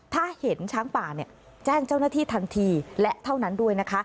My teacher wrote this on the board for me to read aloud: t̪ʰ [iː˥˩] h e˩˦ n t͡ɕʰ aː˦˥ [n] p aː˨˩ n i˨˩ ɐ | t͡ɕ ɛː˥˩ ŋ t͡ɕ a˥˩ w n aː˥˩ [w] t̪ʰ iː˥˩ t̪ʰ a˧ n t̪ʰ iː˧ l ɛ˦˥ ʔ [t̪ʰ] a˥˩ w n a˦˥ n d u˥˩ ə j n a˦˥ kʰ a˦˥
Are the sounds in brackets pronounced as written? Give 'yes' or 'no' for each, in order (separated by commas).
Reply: no, no, no, yes